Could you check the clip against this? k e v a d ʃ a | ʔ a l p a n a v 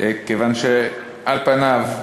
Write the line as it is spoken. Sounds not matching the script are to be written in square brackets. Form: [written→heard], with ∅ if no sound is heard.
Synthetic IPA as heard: k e v a [d→n] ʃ [a→e] | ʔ a l p a n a v

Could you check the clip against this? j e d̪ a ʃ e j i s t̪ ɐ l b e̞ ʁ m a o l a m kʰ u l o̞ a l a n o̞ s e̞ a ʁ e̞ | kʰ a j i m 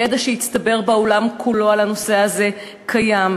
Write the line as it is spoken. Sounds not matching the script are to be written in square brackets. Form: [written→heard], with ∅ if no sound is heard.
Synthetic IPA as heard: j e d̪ a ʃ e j i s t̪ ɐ [l→∅] b e̞ ʁ [m→b] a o l a m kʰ u l o̞ a l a n o̞ s e̞ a [ʁ→z] e̞ | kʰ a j [i→a] m

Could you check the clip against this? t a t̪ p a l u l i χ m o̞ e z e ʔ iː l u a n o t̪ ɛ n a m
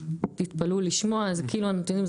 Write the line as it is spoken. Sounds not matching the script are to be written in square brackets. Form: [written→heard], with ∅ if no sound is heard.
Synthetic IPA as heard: t [a→i] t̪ p a l u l i [χ→ʃ] m o̞ [e→a] z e [ʔ→k] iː l u a n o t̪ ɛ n [a→i] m

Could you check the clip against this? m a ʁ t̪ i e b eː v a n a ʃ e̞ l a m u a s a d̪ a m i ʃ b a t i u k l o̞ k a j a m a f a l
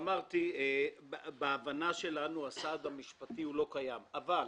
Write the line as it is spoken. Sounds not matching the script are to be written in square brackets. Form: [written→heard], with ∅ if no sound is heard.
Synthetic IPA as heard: m a ʁ t̪ i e b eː v a n a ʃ e̞ l a [m→n] u a s a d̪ a m i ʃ [b→p] a t i u [k→∅] l o̞ k a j a m a [f→v] a l

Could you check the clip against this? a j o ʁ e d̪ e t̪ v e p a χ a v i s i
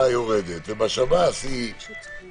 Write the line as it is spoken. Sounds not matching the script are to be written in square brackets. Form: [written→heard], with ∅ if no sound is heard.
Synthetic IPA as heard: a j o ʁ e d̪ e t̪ v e [p→b] a [χ→ʃ] a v [i→a] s i

